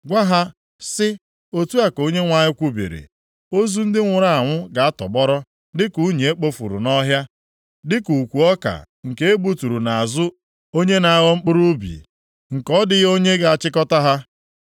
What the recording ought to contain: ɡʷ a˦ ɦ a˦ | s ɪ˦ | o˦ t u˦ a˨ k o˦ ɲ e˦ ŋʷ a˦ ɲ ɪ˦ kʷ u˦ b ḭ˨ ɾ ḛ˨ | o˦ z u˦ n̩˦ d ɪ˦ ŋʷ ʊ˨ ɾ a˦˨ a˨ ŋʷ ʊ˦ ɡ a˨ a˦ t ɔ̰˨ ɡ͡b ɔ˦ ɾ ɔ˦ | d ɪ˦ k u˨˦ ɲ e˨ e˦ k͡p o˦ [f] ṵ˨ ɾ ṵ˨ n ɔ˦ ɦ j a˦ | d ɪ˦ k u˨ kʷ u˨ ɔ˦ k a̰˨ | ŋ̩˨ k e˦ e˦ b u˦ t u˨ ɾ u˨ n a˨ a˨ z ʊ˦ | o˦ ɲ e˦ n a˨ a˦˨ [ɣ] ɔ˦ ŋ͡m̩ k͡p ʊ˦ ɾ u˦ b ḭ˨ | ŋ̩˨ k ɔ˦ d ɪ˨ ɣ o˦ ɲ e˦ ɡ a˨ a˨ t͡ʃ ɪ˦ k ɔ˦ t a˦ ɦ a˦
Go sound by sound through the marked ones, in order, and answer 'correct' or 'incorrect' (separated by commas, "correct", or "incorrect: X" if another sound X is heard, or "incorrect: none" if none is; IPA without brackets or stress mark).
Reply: correct, correct